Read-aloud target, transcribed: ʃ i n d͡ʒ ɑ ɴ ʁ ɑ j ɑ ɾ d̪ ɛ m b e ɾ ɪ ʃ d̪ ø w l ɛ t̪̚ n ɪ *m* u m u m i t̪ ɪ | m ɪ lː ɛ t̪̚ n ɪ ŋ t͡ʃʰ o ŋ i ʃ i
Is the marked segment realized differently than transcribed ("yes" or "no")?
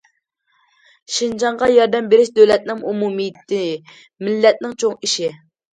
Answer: yes